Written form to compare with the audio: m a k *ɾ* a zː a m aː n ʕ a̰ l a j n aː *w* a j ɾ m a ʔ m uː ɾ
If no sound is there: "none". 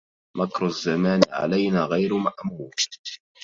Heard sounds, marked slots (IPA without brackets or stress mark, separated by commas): ɾ, ɣ